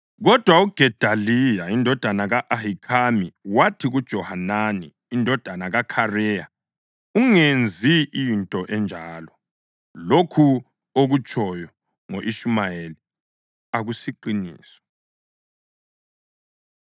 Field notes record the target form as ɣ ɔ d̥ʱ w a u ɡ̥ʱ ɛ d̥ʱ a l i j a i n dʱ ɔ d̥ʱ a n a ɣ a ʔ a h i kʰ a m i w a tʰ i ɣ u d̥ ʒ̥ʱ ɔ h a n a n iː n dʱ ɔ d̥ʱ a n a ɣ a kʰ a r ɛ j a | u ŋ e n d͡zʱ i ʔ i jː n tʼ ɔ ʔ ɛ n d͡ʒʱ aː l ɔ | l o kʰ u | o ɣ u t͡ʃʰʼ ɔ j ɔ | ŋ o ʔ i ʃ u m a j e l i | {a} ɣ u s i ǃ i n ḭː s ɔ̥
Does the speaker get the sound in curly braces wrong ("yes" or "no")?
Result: no